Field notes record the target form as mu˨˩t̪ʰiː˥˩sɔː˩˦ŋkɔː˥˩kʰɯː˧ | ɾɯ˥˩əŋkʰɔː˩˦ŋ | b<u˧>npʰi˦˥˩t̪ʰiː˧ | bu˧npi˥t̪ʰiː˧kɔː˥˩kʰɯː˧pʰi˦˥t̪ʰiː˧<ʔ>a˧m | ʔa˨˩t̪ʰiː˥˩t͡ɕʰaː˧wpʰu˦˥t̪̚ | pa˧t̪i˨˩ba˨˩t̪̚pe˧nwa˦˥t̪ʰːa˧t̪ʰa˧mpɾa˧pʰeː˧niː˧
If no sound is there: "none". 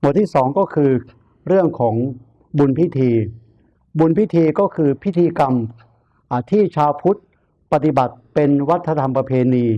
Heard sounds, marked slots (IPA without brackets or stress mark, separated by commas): u˧, k